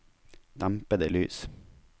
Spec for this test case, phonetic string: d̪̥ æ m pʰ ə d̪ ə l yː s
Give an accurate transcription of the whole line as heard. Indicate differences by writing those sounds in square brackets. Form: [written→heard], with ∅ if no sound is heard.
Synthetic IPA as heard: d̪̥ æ m [pʰ→p] ə d̪ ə l yː s